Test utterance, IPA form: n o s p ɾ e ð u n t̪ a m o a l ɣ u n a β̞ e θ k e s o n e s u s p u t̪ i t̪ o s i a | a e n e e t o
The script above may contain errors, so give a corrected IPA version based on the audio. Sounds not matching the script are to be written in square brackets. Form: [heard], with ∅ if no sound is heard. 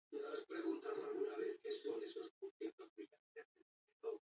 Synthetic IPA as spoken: n o s p ɾ e [ɣ] u n t̪ a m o a l ɣ u n a β̞ e θ k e s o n e s [o] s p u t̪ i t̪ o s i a | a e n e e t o